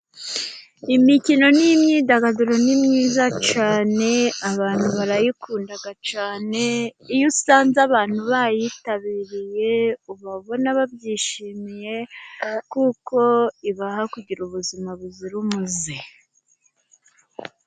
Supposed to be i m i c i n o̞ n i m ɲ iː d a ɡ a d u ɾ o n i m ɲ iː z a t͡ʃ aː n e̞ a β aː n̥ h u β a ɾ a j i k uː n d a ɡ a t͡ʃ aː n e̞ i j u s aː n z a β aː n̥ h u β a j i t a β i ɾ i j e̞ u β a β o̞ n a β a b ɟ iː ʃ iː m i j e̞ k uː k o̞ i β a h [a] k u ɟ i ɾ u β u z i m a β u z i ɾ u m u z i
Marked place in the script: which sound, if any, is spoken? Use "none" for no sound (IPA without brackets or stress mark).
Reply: a